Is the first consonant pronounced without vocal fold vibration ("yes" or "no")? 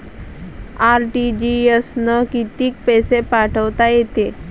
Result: no